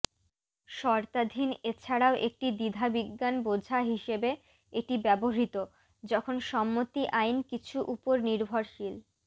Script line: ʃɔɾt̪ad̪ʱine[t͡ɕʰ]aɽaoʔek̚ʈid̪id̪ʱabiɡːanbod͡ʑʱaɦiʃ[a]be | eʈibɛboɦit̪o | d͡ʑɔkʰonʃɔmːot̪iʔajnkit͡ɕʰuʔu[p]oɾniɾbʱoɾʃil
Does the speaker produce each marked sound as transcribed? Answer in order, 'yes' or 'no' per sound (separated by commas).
yes, no, yes